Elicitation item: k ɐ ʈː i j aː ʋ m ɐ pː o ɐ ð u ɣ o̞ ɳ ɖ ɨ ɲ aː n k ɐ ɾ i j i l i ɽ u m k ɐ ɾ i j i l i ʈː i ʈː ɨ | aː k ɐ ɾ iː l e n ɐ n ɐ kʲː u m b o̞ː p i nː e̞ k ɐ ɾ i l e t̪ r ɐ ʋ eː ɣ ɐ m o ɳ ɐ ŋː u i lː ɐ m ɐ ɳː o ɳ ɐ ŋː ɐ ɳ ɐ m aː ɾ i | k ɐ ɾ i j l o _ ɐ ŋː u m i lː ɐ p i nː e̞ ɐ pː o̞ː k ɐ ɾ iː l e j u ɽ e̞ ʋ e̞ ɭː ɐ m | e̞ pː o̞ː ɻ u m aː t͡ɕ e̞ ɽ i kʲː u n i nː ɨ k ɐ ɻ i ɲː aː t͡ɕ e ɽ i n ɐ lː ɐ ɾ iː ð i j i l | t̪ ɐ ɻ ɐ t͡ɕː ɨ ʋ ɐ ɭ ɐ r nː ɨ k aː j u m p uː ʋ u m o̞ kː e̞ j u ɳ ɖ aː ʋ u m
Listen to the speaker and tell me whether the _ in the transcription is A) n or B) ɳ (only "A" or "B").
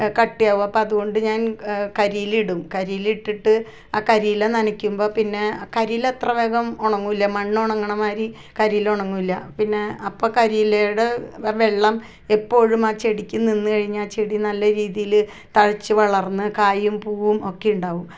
B